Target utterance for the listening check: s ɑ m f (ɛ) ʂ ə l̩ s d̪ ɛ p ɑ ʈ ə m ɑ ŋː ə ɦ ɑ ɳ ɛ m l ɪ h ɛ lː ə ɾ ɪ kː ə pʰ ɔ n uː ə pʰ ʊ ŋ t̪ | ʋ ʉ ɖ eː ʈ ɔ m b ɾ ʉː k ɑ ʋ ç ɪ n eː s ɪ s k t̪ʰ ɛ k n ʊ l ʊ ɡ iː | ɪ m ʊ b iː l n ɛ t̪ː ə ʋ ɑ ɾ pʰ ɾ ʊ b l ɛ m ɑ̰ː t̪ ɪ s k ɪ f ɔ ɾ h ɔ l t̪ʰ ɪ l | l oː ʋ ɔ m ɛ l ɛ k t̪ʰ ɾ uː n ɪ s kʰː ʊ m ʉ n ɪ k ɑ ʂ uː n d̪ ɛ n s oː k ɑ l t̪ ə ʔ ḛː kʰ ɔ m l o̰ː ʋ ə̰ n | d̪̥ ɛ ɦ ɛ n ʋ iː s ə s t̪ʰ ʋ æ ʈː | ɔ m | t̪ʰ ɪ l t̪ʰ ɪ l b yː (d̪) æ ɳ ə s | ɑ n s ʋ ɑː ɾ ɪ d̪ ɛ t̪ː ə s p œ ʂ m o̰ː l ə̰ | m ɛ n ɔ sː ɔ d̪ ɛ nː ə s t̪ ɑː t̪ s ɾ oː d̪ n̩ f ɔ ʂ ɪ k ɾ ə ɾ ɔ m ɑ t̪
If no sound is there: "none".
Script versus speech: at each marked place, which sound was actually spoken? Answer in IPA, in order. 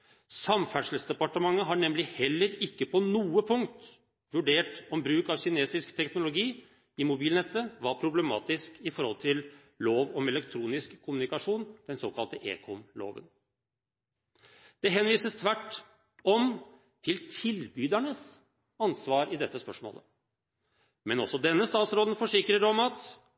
æ, d̪

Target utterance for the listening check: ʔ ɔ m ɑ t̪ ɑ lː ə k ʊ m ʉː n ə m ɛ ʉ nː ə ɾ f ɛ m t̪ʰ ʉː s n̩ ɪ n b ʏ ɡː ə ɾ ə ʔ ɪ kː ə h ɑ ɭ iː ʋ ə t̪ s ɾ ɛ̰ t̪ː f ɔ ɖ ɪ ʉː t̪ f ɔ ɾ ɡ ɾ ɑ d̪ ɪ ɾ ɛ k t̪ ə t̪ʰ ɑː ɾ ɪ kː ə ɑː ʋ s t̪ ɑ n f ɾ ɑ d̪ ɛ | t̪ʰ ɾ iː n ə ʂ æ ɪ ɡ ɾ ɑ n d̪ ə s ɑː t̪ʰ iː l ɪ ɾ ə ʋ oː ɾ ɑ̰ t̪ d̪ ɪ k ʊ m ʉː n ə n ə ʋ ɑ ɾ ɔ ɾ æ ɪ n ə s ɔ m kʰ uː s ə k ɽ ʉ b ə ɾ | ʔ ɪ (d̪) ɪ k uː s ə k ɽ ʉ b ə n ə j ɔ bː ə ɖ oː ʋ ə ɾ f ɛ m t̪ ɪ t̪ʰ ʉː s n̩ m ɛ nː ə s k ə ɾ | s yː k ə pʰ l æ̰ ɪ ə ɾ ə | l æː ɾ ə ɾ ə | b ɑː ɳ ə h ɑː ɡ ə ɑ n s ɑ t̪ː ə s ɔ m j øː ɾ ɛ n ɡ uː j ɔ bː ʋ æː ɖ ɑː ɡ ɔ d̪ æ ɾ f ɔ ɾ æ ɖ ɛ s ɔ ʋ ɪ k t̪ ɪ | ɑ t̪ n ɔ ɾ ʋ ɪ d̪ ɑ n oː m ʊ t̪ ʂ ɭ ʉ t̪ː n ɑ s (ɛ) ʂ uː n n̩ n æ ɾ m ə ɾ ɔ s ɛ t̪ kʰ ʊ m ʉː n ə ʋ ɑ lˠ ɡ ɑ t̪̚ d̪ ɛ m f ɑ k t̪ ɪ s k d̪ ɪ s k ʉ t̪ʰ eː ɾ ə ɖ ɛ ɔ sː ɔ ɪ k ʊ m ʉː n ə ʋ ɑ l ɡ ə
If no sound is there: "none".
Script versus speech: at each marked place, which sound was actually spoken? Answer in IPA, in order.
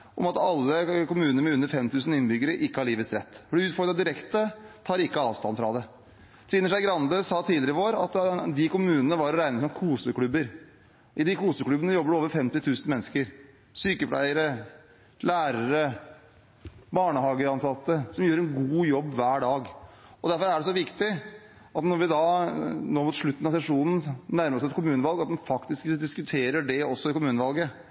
d̪, ɛ

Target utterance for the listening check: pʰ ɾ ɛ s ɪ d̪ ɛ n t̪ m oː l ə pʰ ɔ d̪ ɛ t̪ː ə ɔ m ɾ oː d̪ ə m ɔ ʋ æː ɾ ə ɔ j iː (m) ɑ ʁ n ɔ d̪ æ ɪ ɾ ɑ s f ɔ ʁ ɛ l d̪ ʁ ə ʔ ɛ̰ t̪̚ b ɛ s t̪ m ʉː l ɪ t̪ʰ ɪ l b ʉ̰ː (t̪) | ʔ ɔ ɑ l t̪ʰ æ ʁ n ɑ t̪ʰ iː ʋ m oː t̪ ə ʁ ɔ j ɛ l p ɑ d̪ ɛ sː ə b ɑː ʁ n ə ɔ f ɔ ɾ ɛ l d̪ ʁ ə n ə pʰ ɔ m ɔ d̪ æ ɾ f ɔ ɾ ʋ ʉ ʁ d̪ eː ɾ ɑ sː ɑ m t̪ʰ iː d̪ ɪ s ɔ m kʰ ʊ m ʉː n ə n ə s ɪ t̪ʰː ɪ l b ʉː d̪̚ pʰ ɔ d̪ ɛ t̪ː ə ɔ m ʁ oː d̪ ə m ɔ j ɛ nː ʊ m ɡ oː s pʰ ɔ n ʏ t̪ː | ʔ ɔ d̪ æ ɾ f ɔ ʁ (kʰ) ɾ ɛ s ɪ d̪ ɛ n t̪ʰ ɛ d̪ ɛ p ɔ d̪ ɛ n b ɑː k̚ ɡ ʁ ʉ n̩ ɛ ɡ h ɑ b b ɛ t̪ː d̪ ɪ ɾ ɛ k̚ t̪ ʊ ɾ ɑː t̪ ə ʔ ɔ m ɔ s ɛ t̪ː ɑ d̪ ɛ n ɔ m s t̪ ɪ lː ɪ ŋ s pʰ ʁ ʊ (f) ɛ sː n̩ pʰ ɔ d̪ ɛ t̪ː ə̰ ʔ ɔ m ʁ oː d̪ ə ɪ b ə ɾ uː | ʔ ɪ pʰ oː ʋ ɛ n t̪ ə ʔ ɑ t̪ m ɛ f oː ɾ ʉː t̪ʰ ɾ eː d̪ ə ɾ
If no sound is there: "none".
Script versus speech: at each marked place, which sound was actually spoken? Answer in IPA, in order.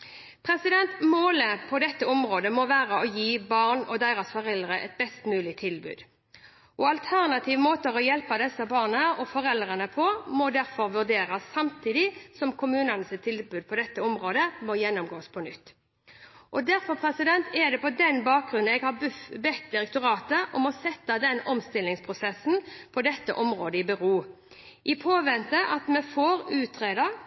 b, d̪, pʰ, s

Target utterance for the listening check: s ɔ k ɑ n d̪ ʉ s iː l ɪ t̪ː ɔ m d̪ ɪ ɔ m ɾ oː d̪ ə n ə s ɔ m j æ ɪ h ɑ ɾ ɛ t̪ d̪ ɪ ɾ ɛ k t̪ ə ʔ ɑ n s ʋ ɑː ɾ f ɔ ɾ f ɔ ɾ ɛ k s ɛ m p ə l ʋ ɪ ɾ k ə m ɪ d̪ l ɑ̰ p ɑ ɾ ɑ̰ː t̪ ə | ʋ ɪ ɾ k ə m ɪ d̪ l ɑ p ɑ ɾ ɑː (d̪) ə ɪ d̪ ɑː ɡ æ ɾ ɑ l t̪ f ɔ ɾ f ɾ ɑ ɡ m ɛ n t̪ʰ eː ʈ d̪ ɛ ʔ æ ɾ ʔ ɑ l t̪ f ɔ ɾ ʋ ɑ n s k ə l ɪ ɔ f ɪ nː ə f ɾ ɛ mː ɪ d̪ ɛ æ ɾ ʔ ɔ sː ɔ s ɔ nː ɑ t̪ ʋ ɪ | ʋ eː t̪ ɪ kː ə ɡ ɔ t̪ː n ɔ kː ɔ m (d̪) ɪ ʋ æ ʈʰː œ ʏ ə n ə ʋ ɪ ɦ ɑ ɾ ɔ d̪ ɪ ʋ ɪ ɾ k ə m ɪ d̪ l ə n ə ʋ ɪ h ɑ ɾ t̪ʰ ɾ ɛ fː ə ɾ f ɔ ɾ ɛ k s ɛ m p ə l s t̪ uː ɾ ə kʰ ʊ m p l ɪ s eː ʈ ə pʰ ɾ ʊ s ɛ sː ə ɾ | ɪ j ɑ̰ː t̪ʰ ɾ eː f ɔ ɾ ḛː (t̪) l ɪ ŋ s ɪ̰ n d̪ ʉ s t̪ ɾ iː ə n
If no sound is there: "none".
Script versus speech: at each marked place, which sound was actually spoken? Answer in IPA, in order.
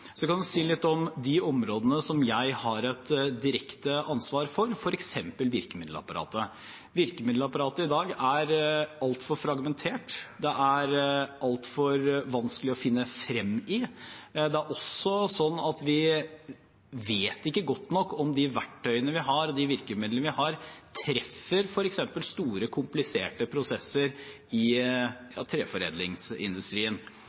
t̪, d̪, d̪

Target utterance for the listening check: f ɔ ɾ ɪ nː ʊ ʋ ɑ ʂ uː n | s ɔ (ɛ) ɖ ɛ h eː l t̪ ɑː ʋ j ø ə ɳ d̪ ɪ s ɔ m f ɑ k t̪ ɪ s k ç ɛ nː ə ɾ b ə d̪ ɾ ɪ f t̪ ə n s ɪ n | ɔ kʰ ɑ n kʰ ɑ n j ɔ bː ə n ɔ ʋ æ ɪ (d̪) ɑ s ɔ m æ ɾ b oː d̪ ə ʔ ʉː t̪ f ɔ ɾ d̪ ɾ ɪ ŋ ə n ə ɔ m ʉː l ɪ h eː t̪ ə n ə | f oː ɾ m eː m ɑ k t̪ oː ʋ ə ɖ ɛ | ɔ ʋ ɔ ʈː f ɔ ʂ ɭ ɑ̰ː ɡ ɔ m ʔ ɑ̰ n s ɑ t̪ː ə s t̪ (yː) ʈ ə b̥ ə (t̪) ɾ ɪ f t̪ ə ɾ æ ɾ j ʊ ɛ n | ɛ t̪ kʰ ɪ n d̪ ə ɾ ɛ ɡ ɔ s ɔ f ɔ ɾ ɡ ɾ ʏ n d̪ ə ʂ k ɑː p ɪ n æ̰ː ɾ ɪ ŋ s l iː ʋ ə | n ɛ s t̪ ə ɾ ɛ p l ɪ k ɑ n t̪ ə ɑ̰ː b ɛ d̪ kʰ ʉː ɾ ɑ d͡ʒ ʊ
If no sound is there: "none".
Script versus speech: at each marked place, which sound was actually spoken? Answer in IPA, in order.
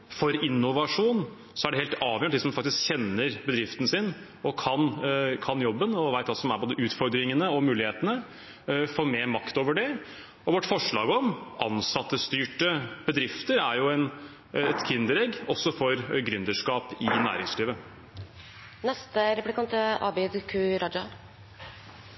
æ, t̪, yː, d̪

